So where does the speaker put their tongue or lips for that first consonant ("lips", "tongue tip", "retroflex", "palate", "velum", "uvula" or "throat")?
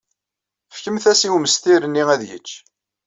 lips